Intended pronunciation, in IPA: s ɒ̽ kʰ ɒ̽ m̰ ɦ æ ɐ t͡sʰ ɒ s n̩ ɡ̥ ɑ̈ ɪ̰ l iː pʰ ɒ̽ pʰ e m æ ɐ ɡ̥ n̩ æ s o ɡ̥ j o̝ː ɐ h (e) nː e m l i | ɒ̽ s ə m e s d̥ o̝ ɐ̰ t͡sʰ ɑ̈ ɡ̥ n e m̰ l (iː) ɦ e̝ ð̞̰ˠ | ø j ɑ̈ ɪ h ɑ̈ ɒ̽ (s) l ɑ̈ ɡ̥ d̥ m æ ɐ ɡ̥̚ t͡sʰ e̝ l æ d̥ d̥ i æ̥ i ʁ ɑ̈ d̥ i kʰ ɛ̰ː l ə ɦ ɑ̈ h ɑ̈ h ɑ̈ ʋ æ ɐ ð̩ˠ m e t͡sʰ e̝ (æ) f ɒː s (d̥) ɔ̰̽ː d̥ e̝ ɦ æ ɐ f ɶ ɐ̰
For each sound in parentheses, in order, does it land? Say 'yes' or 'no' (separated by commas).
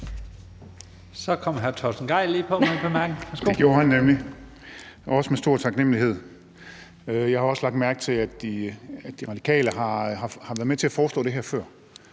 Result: no, no, yes, yes, yes